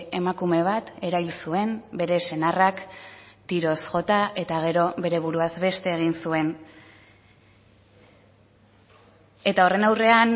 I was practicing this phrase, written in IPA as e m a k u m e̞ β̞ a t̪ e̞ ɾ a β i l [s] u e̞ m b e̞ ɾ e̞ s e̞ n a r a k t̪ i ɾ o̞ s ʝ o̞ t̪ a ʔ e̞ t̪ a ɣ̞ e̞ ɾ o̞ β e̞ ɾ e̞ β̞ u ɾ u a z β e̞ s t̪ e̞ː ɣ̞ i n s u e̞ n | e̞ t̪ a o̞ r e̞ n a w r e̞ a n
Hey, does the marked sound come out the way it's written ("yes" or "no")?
yes